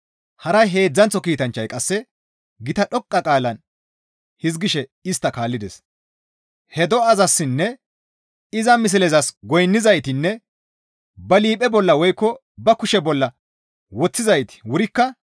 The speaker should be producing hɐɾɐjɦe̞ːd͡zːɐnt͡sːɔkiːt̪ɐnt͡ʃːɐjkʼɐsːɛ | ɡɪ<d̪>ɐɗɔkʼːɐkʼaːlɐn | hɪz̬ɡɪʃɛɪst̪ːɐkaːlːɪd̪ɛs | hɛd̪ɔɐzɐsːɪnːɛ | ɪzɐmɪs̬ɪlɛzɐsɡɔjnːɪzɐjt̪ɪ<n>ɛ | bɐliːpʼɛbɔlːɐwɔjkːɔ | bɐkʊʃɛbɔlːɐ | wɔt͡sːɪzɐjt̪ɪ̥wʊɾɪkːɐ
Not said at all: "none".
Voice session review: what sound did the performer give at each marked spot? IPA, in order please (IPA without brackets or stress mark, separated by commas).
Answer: t̪, nː